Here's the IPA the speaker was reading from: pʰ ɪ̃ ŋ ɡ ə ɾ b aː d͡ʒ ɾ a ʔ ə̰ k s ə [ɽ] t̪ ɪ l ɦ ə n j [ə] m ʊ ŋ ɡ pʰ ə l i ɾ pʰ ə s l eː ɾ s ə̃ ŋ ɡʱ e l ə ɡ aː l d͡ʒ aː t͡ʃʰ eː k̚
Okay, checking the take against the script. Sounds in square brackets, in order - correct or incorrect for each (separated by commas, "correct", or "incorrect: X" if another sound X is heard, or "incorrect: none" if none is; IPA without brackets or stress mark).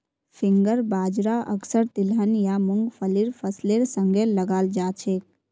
incorrect: ɾ, incorrect: a